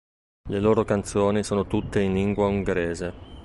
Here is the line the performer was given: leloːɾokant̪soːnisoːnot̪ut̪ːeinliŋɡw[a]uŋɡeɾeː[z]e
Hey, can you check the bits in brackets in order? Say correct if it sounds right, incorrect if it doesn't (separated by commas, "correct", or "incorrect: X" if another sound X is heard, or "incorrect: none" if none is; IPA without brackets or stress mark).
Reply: correct, correct